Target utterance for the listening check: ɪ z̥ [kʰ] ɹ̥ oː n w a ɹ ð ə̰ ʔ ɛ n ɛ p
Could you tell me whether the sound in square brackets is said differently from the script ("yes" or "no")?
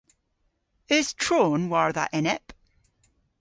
yes